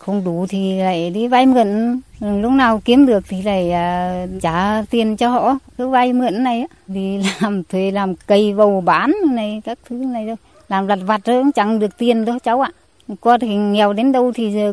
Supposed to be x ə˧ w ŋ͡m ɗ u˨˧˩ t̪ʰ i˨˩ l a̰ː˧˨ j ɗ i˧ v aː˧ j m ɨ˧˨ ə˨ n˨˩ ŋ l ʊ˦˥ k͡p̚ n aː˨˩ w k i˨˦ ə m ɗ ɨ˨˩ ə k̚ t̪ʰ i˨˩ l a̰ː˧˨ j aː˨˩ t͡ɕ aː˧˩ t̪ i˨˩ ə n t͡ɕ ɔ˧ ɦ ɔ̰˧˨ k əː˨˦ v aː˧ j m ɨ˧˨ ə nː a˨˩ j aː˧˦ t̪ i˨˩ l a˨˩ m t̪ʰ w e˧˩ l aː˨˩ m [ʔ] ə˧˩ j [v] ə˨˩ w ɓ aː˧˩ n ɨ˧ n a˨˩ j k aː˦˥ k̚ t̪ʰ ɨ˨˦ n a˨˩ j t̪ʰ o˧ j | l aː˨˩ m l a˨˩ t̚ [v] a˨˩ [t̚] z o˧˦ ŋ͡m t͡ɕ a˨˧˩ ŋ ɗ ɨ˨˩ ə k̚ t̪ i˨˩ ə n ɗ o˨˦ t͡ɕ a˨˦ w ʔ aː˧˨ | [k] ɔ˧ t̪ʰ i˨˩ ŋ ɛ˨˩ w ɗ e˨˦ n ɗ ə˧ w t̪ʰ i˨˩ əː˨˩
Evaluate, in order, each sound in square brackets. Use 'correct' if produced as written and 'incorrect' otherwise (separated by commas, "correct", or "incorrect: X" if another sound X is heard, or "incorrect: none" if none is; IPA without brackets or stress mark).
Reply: incorrect: k, correct, correct, correct, correct